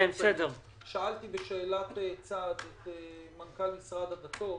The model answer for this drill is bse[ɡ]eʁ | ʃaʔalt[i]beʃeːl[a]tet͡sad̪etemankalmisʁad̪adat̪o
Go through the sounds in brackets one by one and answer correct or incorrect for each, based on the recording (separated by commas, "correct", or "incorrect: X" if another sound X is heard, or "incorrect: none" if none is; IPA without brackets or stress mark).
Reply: incorrect: d, correct, correct